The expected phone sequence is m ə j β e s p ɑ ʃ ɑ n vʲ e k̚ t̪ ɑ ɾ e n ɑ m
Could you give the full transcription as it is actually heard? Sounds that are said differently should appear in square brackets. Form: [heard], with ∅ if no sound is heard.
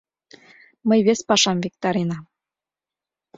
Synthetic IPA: m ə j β e s p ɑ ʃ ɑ [m] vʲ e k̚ t̪ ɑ ɾ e n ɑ m